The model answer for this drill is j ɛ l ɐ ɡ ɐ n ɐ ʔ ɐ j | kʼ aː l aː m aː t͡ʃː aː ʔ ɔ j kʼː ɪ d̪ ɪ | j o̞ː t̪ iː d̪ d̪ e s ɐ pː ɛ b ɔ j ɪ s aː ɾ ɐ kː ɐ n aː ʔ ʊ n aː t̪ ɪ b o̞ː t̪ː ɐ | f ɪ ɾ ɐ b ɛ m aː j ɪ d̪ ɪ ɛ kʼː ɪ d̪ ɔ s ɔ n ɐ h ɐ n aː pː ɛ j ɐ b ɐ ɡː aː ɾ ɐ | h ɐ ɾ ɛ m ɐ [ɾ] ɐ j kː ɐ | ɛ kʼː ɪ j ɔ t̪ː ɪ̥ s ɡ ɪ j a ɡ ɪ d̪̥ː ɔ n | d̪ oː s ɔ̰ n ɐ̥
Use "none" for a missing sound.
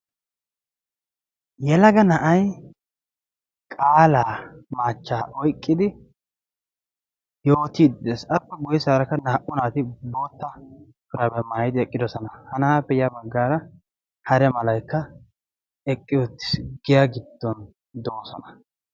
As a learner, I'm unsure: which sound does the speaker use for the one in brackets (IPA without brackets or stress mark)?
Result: l